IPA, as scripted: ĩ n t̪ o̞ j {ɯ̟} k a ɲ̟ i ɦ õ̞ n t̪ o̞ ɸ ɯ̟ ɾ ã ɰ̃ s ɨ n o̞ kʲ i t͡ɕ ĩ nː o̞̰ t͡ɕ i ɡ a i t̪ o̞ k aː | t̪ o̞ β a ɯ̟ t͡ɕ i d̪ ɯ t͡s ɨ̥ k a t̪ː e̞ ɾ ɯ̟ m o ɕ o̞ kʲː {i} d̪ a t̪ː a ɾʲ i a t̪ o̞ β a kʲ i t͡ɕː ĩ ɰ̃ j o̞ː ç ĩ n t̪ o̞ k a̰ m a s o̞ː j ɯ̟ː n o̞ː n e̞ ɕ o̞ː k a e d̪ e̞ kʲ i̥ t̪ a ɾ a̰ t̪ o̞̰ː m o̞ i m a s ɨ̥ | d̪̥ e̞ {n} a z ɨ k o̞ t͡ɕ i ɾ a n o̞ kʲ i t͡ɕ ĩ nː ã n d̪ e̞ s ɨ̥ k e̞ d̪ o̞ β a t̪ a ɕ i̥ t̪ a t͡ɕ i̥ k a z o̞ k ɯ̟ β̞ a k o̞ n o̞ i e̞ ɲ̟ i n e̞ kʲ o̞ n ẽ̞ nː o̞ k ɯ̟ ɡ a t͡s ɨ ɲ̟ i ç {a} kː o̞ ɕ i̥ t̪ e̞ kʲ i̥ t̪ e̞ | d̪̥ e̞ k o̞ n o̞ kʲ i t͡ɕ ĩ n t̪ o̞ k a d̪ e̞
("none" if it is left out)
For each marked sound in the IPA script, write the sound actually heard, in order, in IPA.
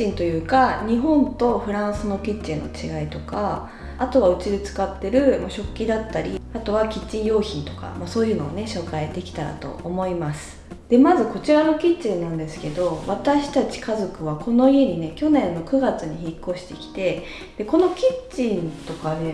ɯ̟ː, i, m, i

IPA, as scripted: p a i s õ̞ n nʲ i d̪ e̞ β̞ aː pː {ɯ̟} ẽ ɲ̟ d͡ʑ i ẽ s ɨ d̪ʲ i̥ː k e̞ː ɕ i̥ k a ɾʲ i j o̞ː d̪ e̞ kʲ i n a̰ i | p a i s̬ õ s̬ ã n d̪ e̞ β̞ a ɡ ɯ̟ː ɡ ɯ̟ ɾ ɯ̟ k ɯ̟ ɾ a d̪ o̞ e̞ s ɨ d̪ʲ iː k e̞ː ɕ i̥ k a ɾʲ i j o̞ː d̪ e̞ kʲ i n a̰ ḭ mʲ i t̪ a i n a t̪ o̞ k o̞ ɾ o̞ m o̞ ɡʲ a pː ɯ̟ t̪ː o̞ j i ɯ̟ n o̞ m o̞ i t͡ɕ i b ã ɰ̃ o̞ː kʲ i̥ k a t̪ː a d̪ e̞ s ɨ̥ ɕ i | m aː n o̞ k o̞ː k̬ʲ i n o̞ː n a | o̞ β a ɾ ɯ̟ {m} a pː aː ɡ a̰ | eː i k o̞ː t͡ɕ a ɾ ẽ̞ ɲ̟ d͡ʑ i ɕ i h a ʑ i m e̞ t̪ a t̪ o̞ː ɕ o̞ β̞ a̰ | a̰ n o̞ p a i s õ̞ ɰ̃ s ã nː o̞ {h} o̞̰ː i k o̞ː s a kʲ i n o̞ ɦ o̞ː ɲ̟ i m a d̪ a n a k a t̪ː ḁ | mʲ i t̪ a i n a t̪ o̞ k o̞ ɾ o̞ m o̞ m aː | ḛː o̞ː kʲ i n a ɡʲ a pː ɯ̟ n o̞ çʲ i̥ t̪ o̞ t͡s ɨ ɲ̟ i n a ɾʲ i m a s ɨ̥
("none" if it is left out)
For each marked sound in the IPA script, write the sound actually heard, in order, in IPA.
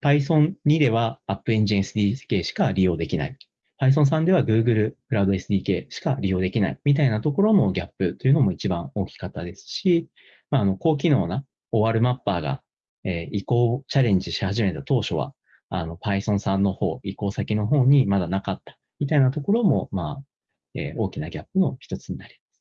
ɯ̟, m, h

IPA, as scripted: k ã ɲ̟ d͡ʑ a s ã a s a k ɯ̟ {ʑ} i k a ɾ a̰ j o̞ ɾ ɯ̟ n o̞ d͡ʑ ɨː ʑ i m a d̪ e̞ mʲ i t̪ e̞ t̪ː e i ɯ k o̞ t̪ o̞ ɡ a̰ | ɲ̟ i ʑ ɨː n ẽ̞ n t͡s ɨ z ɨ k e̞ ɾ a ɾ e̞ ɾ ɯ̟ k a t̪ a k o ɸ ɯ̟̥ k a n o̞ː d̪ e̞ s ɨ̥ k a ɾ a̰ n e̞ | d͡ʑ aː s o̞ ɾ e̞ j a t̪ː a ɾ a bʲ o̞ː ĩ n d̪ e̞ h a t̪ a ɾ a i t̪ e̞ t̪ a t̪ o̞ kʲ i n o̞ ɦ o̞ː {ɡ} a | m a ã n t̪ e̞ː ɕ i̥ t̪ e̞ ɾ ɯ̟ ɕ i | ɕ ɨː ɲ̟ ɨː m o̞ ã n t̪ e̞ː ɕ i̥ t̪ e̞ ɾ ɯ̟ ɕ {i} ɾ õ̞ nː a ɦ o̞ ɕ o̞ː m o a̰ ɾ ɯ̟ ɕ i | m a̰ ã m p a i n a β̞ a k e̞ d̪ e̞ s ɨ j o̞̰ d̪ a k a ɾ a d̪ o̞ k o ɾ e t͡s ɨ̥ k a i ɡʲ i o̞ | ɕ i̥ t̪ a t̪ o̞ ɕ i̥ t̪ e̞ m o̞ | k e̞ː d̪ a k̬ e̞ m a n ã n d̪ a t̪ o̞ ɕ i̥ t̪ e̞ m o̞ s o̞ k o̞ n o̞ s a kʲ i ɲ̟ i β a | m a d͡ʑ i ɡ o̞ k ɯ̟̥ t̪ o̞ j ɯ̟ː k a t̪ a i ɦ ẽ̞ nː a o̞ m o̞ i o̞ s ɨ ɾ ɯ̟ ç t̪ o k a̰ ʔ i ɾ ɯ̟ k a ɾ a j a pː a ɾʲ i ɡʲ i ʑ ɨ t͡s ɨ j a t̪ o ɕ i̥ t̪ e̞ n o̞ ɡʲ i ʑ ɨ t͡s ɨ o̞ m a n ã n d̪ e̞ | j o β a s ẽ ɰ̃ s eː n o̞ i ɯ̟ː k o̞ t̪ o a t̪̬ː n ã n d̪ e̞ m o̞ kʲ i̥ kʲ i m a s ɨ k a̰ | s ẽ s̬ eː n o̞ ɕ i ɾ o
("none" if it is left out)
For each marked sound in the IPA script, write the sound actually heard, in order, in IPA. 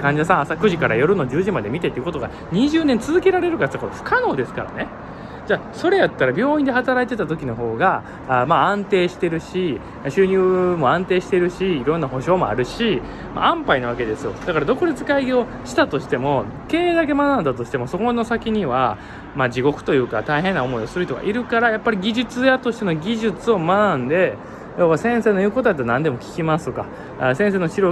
ʑ, ɡ, iː

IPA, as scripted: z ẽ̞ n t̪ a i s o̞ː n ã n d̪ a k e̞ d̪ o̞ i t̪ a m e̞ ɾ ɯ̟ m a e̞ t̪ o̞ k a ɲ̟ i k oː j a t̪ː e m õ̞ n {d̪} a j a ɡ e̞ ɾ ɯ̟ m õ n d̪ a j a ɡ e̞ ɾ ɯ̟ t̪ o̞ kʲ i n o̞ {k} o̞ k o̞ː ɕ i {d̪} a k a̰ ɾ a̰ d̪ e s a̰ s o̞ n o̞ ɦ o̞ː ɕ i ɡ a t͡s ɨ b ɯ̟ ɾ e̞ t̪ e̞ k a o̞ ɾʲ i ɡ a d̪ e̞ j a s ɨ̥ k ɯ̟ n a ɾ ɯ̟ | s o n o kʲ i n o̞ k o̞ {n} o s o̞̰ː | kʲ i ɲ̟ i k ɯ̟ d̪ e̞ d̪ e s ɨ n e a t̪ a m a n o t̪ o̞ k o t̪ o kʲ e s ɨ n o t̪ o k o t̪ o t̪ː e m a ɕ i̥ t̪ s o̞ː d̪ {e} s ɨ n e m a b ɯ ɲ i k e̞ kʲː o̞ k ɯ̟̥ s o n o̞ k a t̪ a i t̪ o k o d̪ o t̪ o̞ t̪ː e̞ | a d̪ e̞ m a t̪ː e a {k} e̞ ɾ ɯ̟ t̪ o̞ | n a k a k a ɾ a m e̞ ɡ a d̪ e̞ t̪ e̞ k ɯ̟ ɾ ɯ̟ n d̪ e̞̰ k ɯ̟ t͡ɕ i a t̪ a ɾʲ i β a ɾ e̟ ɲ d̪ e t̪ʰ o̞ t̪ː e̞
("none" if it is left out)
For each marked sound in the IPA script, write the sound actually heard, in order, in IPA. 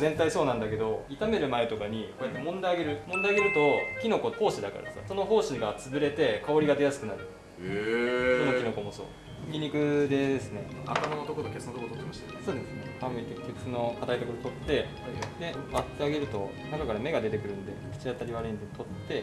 d̪, k, d̪, m, e, ɡ

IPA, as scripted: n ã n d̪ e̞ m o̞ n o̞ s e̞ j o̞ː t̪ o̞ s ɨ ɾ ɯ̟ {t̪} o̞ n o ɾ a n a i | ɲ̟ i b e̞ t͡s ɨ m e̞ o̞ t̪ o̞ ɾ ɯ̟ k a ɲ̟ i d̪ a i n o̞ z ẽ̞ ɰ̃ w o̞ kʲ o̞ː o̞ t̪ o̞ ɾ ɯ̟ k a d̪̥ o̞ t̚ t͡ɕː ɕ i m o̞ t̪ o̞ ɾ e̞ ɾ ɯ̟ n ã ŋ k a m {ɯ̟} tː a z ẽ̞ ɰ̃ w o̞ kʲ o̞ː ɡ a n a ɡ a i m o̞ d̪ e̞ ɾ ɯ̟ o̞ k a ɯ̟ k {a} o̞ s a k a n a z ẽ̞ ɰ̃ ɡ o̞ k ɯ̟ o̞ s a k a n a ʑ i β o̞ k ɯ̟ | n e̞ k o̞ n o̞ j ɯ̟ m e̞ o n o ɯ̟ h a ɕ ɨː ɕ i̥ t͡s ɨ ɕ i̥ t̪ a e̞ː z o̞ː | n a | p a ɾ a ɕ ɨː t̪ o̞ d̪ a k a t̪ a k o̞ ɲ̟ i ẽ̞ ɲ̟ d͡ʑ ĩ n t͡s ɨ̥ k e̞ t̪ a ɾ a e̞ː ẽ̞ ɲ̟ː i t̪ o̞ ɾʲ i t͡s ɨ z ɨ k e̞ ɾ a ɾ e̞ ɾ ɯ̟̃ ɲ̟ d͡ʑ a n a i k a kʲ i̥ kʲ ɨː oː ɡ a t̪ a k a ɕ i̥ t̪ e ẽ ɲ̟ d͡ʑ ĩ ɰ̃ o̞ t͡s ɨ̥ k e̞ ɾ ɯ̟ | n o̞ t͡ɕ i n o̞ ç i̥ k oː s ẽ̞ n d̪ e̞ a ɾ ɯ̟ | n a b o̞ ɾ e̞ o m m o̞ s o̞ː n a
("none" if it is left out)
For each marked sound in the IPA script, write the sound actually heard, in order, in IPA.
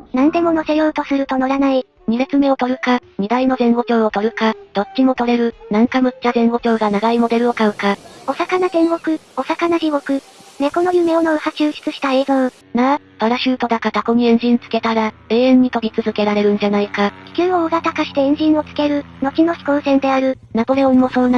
t̪, ɯ̟, a

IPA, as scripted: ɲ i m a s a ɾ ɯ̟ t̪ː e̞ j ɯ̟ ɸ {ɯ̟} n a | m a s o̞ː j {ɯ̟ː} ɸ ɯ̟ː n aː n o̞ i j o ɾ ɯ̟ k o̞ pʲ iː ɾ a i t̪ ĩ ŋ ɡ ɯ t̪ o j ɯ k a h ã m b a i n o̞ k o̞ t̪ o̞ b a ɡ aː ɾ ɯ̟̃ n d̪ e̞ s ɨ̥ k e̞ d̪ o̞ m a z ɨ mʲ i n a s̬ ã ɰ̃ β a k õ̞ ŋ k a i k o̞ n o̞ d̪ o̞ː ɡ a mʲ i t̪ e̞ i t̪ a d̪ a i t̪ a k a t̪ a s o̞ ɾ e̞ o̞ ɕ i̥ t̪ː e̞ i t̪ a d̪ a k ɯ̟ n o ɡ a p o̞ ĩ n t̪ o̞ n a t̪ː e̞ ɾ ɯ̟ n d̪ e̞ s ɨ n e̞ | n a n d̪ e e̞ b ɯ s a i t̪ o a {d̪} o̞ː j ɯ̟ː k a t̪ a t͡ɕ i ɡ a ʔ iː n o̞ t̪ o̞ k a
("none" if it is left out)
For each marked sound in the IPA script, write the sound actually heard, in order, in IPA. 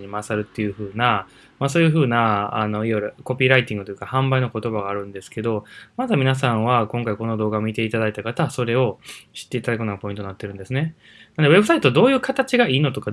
ɯ̟ː, ɯ̟, d̪

